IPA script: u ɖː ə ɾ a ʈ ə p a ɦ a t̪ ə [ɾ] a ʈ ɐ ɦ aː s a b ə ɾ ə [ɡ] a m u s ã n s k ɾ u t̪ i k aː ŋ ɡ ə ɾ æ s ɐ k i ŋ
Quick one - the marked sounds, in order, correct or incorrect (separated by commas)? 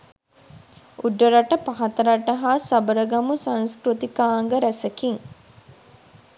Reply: correct, correct